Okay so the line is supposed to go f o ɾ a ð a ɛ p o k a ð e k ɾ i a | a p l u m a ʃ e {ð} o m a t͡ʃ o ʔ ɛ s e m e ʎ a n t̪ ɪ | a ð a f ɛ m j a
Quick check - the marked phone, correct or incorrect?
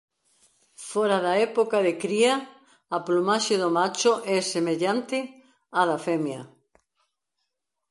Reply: correct